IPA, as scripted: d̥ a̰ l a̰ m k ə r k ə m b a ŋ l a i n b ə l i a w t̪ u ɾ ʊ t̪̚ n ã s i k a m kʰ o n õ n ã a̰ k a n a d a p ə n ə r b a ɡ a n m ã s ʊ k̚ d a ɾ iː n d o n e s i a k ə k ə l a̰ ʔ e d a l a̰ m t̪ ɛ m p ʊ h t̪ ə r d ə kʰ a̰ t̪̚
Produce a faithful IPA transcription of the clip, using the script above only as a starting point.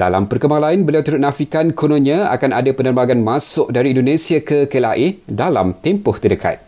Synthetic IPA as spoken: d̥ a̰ l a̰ m p ə r k ə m b a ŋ l a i n b ə l i a w t̪ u ɾ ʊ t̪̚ n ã f i k a n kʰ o n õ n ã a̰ k a n a d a p ə n ə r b a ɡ a n m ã s ʊ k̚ d a ɾ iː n d o n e s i a k ə k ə l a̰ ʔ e d a l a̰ m t̪ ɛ m p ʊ h t̪ ə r d ə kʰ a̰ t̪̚